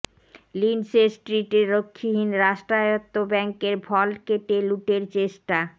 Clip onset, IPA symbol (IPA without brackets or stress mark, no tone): l